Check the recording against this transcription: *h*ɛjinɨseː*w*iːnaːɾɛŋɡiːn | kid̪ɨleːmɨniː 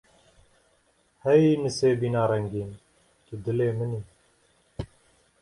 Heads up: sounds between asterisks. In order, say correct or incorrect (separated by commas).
correct, incorrect